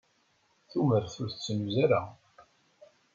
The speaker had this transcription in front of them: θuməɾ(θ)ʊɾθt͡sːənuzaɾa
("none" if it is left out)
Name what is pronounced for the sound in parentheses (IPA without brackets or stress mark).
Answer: θ